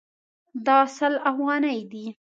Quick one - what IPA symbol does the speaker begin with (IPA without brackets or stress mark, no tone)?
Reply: d̪